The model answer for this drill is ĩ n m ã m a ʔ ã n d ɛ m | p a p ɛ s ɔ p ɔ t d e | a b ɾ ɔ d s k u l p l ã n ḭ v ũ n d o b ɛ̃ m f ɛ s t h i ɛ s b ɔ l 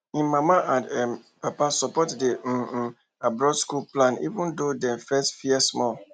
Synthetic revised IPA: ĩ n m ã m a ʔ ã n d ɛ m | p a p a s ɔ p ɔ t d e | a b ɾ ɔ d s k u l p l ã n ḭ v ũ n d o d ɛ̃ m f ɛ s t f i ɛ s m ɔ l